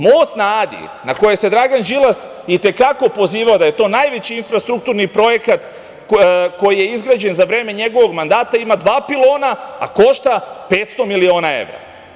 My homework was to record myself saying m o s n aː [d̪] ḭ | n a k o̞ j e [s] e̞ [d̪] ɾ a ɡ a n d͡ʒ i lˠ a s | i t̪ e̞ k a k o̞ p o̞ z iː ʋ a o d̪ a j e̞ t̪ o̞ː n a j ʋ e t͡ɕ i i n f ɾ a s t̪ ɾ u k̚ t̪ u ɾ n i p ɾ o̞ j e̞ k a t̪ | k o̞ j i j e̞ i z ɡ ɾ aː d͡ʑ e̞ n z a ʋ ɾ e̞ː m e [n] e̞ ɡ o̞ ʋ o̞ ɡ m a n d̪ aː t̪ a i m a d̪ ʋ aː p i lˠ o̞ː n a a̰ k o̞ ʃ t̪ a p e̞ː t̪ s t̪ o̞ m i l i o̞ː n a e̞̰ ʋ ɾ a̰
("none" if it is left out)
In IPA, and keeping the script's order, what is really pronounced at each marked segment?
d̪, s, d̪, ɲ

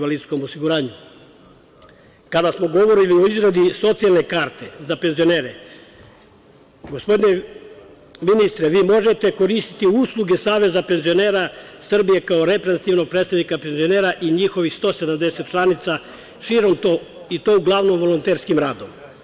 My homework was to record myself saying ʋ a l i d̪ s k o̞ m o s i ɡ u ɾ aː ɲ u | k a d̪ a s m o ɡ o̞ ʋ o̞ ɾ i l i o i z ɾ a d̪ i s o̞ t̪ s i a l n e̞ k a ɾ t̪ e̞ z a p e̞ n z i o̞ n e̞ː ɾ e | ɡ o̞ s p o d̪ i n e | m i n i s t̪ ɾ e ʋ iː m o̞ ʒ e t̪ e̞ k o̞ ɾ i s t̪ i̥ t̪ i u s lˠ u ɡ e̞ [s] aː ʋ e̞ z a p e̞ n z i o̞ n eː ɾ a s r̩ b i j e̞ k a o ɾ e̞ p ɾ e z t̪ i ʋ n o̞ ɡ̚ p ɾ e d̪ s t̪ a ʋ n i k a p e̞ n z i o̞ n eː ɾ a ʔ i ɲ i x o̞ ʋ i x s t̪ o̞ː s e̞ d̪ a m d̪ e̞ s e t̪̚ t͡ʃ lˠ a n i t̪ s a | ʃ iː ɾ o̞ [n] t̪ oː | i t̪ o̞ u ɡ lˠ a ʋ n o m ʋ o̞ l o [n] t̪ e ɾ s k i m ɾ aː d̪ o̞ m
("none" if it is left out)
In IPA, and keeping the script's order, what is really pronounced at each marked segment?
s, m, n

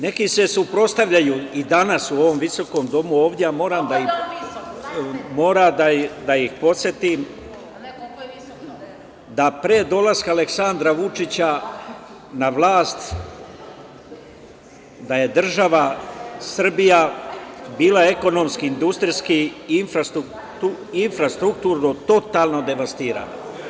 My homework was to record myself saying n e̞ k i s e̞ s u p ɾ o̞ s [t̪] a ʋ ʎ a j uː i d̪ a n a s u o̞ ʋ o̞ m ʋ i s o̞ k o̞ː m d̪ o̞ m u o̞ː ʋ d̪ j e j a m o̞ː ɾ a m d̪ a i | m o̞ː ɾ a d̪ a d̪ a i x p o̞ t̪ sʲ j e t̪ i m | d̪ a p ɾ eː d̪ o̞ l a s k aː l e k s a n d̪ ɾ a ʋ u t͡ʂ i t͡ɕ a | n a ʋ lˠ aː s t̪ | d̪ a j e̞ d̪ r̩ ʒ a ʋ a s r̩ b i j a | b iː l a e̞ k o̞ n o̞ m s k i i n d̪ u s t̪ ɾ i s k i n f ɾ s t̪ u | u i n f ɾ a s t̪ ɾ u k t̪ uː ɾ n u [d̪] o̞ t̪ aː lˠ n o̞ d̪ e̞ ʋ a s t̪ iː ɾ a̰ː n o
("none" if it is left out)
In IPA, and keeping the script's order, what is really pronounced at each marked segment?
t̪, t̪

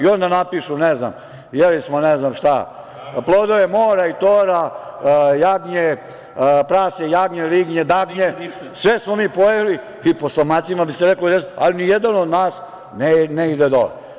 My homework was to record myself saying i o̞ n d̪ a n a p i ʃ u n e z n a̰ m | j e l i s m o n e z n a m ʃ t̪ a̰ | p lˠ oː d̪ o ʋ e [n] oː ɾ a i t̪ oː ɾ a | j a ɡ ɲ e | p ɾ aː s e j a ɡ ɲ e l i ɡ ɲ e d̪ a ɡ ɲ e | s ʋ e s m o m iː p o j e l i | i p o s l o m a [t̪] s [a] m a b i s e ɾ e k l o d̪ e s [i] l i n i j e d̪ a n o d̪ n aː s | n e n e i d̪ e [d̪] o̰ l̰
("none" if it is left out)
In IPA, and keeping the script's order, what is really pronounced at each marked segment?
m, t̪, i, a, d̪

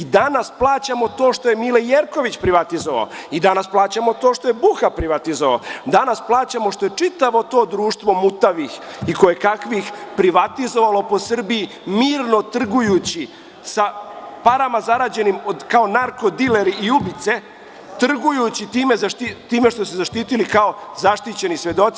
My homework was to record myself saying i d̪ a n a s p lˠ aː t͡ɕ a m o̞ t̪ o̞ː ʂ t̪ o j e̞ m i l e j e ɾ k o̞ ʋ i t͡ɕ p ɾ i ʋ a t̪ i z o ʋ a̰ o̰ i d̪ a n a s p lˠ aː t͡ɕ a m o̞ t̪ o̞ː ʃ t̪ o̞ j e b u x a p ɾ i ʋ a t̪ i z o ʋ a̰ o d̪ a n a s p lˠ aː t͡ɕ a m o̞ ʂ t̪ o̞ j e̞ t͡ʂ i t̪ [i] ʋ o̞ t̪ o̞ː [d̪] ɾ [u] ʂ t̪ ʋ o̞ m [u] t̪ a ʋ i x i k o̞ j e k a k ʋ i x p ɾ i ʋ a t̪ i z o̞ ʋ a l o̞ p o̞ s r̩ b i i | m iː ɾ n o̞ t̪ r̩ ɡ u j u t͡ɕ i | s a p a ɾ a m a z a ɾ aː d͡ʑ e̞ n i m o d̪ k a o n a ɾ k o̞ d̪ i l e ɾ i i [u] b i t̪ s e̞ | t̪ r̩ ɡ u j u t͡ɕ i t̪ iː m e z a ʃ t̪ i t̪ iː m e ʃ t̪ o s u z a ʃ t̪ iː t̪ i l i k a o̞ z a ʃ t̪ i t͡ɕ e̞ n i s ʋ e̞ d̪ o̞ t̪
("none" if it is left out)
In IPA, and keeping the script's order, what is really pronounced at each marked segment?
a, d̪, uː, u, u

